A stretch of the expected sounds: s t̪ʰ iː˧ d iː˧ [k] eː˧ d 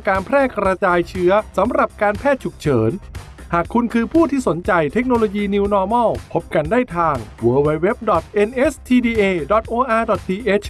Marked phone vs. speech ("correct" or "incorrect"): incorrect